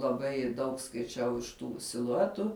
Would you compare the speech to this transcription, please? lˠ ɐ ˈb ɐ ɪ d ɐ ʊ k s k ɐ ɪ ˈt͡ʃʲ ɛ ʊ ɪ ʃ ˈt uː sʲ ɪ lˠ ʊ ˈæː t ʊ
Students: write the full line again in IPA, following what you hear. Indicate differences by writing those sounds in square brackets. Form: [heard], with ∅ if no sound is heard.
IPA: lˠ ɐ ˈb ɐ ɪ d ɐ ʊ k s k ɐ ɪ ˈt͡ʃʲ ɛ ʊ ɪ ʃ ˈt uː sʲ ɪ lˠ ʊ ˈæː t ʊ